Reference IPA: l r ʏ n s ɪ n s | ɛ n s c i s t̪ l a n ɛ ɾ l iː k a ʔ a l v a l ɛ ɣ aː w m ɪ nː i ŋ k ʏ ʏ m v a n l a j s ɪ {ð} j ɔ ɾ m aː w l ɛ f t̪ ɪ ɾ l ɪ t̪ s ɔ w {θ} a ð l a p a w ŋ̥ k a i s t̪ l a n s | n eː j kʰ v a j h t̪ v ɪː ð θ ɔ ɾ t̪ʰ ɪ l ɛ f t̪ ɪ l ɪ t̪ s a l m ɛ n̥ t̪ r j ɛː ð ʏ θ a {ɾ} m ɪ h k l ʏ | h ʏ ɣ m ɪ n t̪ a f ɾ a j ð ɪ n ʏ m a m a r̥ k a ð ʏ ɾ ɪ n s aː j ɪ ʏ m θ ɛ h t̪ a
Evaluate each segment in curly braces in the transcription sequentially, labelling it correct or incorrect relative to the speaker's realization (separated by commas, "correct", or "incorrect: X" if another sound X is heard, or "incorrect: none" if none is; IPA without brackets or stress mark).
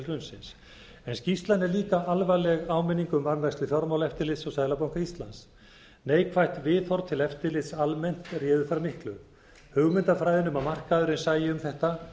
incorrect: θ, incorrect: s, correct